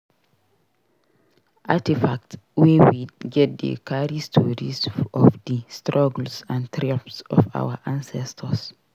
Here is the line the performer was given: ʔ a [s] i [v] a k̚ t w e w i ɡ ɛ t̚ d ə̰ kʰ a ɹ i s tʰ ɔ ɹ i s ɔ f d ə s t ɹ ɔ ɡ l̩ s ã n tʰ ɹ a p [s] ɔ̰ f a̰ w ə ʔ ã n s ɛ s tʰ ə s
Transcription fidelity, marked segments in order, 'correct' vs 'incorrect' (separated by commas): incorrect, incorrect, correct